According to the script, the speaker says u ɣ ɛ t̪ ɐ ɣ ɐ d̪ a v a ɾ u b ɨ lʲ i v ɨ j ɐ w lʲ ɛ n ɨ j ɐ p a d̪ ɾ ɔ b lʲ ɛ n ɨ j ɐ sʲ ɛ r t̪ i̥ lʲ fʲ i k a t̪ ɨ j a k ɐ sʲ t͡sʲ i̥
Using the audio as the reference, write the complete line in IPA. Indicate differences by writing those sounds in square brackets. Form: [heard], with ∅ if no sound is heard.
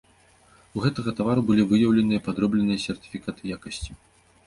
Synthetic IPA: u ɣ ɛ t̪ ɐ ɣ ɐ [t̪] a v a ɾ u b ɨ lʲ i v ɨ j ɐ w lʲ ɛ n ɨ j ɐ p a d̪ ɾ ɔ b lʲ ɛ n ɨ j ɐ sʲ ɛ r t̪ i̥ [∅] fʲ i k a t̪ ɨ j a k ɐ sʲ t͡sʲ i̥